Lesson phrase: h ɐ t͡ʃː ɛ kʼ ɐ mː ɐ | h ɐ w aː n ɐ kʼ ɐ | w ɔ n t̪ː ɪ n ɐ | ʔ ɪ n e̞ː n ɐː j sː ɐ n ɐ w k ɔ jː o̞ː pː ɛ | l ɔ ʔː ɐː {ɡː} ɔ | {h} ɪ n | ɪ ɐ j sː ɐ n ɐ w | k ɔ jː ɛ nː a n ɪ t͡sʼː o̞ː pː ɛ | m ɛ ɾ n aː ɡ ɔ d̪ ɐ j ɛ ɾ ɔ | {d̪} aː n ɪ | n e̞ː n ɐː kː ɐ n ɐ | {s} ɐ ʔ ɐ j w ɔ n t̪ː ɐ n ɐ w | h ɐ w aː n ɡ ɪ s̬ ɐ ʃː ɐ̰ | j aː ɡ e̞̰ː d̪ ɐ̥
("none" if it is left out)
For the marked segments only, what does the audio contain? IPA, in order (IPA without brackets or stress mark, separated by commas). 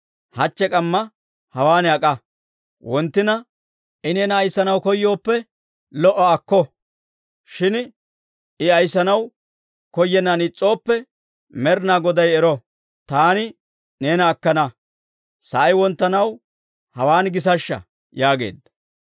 kː, ʃ, t̪, s